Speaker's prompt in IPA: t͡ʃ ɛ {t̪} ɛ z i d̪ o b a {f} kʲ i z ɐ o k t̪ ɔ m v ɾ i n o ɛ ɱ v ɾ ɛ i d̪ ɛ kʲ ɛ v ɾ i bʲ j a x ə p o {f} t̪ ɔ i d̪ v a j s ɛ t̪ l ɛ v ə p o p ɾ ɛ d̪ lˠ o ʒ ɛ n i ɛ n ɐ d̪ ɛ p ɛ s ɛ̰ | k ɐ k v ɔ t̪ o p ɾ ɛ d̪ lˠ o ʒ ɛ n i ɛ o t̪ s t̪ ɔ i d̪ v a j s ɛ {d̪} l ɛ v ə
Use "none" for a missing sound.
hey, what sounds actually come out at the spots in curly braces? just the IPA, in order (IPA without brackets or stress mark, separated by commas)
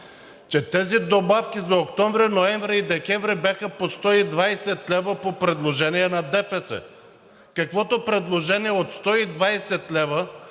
t̪, f, s, t̪